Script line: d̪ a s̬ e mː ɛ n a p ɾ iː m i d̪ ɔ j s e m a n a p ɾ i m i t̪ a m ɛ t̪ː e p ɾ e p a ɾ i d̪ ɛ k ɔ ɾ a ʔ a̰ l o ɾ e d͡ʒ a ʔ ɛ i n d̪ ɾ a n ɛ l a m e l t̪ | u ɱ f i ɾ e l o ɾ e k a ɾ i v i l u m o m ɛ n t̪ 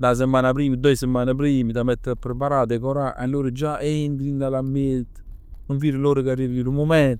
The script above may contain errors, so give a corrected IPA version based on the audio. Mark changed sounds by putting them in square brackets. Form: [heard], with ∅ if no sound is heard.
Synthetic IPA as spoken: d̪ a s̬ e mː [a] n a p ɾ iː m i d̪ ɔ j s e m a n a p ɾ i m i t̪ a m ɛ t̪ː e p ɾ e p a ɾ [a] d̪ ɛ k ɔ ɾ a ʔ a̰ l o ɾ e d͡ʒ a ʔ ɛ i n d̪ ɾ [i] n [a] l a m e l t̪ | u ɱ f i ɾ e l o ɾ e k a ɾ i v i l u m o m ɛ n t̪